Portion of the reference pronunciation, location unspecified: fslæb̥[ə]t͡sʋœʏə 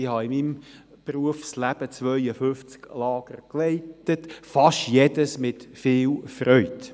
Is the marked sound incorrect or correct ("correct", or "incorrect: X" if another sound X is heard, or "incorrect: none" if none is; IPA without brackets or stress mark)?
correct